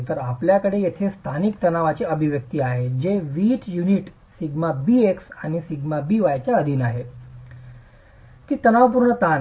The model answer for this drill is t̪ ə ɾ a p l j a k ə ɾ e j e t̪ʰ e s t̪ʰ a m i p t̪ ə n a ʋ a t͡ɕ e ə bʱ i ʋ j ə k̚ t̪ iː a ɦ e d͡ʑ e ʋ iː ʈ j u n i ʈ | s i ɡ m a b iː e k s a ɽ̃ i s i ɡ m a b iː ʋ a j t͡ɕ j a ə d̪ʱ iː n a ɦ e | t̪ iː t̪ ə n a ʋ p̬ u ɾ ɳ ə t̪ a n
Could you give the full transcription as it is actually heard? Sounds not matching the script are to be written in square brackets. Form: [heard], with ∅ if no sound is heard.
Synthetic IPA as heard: t̪ ə ɾ a p l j a k ə [ɽ] e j e t̪ʰ e s t̪ʰ a [n] i [k] t̪ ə n a ʋ a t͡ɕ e ə bʱ i ʋ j ə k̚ t̪ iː a ɦ e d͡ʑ e ʋ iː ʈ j u n i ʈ | s i ɡ m a b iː e k s a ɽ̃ i s i ɡ m a b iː ʋ a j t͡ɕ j a ə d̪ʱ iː n a ɦ e | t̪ iː t̪ ə n a ʋ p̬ u ɾ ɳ ə t̪ a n